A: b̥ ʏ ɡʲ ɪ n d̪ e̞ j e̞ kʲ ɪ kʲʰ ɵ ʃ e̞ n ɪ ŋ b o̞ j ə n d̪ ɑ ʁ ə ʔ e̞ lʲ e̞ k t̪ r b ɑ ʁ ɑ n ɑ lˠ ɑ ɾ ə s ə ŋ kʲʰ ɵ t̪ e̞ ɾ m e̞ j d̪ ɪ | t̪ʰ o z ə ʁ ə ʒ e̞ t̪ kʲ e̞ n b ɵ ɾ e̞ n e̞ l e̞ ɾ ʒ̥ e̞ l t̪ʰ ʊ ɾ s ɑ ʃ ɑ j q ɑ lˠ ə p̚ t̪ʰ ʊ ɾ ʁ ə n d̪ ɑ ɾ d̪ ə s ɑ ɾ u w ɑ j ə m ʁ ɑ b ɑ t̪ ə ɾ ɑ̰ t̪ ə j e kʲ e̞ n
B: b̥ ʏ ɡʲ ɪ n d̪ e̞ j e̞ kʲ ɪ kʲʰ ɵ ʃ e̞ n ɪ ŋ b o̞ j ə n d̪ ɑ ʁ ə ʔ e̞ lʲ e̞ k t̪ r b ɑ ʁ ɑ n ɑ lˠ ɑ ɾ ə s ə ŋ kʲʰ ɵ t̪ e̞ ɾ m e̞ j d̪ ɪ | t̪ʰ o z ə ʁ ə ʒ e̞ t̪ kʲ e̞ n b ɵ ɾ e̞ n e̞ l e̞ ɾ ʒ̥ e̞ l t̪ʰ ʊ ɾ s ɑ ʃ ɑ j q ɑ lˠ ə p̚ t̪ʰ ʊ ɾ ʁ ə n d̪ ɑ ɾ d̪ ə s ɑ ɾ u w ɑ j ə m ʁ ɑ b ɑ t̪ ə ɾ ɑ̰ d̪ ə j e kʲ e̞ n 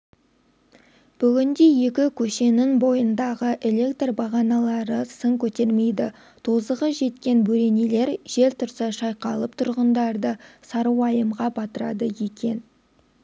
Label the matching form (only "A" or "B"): B